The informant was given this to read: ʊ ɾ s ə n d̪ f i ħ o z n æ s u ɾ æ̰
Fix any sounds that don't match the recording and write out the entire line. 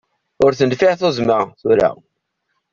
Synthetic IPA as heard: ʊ ɾ θ ə n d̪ f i θ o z m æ θ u ɾ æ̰

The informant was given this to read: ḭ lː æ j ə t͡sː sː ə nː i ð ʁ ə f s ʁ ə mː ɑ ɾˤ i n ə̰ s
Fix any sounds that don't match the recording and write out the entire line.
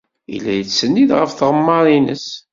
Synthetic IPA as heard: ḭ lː æ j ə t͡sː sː ə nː i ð ʁ ə f θ ʁ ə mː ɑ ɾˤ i n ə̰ s

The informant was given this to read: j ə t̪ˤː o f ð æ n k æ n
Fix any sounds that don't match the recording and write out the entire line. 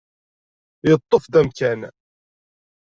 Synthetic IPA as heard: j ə t̪ˤː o f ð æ m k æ n

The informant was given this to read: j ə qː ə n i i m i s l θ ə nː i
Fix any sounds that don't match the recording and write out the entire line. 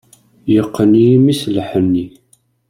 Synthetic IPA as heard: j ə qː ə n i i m i s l ħ ə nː i

